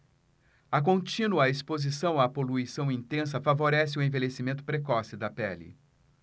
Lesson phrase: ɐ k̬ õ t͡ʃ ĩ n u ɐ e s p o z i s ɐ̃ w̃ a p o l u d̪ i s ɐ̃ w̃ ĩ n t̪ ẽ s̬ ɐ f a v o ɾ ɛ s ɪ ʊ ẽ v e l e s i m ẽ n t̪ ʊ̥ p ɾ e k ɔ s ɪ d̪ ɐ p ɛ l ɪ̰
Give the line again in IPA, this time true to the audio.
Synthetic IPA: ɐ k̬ õ t͡ʃ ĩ n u ɐ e s p o z i s ɐ̃ w̃ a p o l u i s ɐ̃ w̃ ĩ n t̪ ẽ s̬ ɐ f a v o ɾ ɛ s ɪ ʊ ẽ v e l e s i m ẽ n t̪ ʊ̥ p ɾ e k ɔ s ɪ d̪ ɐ p ɛ l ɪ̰